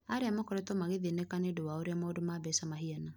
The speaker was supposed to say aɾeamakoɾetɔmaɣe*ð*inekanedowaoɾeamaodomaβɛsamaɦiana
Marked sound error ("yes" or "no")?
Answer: no